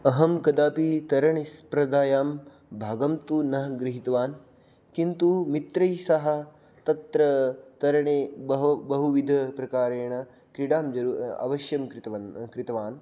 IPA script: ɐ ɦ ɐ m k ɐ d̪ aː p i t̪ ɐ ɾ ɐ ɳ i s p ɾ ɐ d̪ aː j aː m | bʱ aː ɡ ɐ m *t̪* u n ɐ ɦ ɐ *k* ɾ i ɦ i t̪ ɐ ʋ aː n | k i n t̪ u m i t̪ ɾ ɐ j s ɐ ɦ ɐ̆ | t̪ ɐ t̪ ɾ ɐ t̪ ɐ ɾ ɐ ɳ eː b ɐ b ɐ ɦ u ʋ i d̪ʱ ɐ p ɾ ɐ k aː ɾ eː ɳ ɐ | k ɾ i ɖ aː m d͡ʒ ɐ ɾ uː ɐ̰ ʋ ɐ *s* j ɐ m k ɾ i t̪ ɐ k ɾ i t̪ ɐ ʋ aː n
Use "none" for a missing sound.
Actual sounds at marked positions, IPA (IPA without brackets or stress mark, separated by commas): t̪, ɡ, ʃ